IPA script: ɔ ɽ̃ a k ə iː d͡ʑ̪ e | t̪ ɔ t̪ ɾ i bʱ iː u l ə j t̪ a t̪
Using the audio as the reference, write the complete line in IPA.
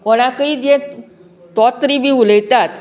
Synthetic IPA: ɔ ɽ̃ a k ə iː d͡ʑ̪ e | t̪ ɔ t̪ ɾ i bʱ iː u l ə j t̪ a t̪